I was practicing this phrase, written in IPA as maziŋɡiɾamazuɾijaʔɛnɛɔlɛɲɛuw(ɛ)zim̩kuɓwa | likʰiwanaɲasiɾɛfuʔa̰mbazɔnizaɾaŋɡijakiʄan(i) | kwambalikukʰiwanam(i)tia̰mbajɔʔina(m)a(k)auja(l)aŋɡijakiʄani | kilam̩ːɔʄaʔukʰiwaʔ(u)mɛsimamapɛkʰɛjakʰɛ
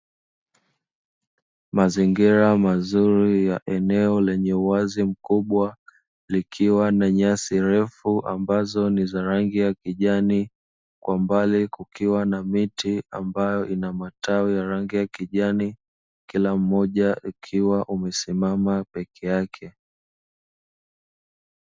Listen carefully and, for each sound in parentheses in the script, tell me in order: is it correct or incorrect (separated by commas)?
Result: incorrect, correct, correct, correct, incorrect, incorrect, correct